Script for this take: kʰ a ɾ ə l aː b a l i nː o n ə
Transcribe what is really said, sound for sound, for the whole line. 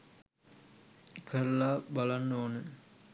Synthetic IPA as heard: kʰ ə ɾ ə l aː b a l a nː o n ə